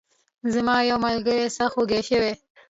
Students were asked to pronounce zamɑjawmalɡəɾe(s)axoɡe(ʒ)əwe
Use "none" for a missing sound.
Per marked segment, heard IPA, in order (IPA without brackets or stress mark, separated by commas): s, ʃ